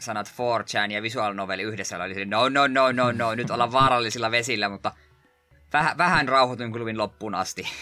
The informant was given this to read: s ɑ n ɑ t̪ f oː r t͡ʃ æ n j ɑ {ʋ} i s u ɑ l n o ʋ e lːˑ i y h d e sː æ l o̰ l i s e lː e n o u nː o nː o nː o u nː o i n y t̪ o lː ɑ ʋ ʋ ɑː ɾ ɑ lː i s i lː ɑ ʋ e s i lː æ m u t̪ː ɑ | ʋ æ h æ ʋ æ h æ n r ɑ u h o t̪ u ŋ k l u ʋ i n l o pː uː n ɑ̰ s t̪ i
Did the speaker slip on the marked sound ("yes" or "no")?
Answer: no